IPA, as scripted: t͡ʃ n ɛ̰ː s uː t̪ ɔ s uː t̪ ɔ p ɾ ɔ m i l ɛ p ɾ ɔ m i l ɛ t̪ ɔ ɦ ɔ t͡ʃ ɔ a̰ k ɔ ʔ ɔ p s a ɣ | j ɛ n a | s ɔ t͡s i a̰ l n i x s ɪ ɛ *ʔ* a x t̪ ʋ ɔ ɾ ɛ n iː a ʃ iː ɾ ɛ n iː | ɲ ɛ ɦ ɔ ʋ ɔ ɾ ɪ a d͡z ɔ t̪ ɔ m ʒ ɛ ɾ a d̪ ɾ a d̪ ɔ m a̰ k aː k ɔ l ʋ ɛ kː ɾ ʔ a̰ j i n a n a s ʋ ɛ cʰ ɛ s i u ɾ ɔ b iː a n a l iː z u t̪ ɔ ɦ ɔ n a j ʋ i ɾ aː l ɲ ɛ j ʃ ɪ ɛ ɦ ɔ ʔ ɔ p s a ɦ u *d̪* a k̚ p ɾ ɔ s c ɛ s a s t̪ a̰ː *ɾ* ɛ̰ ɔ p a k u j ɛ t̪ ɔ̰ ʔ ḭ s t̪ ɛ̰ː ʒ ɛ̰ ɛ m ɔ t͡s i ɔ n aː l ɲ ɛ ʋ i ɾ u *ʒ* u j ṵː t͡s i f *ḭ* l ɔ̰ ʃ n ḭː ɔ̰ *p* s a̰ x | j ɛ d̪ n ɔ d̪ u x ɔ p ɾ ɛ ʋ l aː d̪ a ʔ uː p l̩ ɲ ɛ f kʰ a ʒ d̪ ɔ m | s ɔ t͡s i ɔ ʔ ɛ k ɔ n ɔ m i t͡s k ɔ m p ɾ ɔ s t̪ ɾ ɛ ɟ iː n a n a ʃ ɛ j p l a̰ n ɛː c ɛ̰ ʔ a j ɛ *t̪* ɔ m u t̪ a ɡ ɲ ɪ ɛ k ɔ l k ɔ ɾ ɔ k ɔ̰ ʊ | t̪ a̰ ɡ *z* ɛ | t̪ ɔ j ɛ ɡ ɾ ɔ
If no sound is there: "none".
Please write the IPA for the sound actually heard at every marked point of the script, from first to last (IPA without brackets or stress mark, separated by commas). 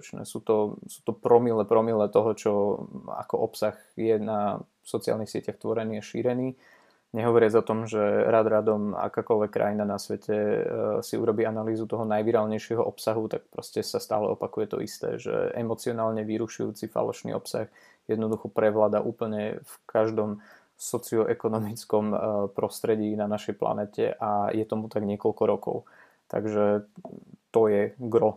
c, t̪, l, ʃ, a̰, p, t̪, ʒ